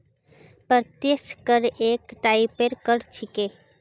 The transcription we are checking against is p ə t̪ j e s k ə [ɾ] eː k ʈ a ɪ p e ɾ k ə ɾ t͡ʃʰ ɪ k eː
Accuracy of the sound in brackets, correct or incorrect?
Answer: correct